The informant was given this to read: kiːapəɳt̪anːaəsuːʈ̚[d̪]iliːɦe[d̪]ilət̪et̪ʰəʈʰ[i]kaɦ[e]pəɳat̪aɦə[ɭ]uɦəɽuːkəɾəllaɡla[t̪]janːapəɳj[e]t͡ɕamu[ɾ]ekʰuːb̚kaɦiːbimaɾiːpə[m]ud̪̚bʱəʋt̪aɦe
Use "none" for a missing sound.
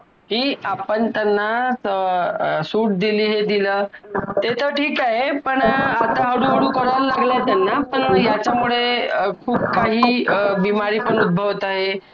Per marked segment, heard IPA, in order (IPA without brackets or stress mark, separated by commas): d̪, d̪, iː, e, ɽ, t̪, a, ɭ, ɳ